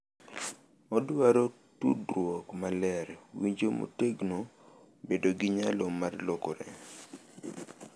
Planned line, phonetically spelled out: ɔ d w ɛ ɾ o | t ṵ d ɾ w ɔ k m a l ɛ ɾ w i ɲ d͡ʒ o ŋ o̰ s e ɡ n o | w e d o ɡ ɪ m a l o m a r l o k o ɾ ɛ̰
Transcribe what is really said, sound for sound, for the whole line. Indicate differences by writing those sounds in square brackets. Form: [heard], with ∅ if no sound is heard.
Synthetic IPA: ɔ d w [a] ɾ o | t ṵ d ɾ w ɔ k m a l ɛ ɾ w i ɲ d͡ʒ o [m] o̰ [t] e ɡ n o | [b] e d o ɡ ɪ [ɲ] a l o m a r l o k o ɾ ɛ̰